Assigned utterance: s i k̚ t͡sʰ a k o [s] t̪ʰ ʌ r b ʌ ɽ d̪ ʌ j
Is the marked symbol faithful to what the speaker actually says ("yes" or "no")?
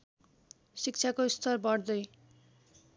yes